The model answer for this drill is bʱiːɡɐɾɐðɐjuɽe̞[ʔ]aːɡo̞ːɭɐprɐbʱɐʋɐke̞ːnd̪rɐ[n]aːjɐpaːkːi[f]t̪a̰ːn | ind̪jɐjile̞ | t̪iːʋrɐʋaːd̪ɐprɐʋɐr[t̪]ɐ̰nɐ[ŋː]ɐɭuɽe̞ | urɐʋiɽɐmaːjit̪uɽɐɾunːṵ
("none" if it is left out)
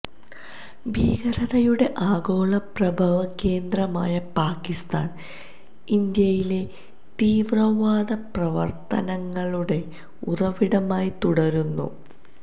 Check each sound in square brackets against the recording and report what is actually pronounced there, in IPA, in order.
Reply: ʔ, m, s, t̪, ŋː

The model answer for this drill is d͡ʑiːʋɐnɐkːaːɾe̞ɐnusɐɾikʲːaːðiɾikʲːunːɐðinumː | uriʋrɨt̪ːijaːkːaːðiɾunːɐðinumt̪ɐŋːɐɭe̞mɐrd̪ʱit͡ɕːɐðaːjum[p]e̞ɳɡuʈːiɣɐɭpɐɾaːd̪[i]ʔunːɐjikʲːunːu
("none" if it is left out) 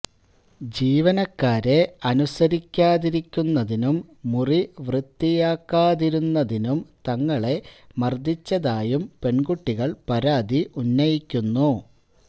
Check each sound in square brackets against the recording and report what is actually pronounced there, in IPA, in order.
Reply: p, i

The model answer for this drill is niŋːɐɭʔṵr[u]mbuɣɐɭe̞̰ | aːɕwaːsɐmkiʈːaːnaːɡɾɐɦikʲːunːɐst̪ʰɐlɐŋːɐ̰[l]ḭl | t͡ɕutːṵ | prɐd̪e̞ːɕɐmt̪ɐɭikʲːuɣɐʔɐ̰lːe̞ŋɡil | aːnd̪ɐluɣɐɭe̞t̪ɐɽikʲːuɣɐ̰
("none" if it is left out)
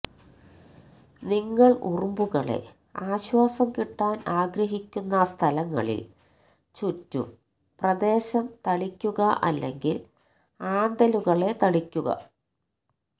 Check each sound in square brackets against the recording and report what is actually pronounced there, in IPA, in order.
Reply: u, ɭ

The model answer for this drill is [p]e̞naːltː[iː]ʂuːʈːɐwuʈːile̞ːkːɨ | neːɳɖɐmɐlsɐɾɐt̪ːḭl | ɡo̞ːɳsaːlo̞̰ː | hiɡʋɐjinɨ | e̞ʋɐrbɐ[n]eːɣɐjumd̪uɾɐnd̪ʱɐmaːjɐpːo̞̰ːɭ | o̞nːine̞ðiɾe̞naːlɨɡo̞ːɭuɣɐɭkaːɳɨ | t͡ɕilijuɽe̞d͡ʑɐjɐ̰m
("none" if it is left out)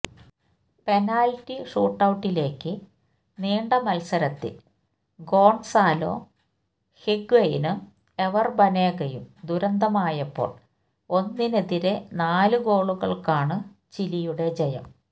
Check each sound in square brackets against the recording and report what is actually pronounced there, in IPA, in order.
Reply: p, i, n

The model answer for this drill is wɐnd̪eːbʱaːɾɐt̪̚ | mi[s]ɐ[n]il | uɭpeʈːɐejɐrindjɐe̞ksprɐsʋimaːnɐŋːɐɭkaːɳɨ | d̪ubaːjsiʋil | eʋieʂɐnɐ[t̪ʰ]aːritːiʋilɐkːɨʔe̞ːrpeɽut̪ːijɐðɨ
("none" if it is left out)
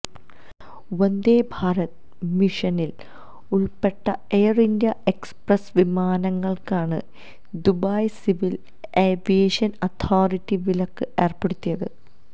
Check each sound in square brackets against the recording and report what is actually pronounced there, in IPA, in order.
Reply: ʂ, n, t̪ʰ

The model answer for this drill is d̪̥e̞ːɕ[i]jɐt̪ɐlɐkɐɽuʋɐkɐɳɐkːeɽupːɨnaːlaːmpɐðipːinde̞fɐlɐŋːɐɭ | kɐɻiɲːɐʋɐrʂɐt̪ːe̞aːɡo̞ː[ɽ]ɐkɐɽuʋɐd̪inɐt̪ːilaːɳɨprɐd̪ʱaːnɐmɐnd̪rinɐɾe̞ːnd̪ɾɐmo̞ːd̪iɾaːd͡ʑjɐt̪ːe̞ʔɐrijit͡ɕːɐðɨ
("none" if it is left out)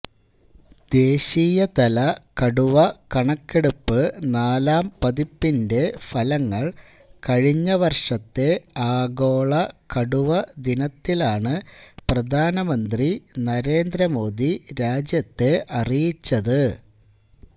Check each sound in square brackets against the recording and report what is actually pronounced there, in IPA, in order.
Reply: iː, ɭ

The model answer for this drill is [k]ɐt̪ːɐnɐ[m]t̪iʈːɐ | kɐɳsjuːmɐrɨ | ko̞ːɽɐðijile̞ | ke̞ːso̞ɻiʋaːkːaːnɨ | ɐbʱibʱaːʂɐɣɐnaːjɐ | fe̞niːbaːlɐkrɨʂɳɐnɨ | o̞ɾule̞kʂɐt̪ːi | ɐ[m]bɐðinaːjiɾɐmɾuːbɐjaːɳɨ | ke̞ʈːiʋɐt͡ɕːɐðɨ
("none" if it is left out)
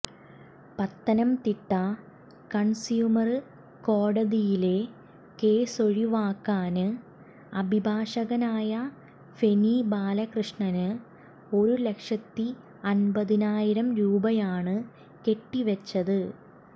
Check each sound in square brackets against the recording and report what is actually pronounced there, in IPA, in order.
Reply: p, m, n

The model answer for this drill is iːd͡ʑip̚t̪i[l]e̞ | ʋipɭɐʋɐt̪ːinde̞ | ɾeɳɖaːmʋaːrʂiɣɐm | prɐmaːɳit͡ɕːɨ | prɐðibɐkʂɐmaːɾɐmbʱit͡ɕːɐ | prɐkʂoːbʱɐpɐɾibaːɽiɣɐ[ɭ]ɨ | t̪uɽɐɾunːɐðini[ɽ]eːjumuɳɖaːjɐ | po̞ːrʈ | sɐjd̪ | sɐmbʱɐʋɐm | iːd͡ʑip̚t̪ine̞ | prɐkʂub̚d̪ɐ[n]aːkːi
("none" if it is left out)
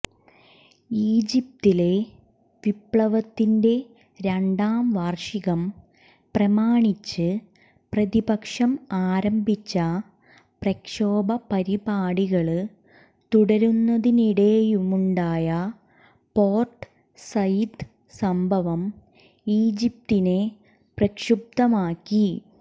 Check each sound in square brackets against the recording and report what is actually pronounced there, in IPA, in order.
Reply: l, ɭ, ɽ, m

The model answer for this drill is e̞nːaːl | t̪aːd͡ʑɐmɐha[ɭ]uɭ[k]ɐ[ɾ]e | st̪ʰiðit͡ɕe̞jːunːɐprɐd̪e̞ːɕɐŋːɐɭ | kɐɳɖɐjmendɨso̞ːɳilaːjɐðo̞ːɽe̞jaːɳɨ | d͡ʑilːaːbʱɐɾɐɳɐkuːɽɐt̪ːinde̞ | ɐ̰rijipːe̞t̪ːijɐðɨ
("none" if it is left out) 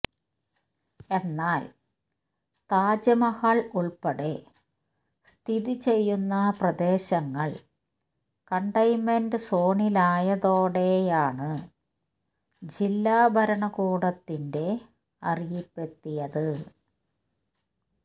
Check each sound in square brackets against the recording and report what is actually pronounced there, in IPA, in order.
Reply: ɭ, p, ɽ

